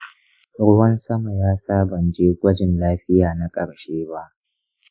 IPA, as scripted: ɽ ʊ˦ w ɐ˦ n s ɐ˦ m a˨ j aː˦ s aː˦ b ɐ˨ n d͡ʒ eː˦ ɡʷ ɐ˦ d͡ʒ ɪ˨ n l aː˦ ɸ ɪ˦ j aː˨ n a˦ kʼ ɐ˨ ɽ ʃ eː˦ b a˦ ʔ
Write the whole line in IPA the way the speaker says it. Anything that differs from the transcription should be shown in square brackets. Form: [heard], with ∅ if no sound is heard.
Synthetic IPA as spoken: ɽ ʊ˦ w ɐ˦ n s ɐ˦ m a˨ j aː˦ s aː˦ b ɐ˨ n d͡ʒ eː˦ ɡʷ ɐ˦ d͡ʒ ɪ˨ n l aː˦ ɸ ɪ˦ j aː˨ n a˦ kʼ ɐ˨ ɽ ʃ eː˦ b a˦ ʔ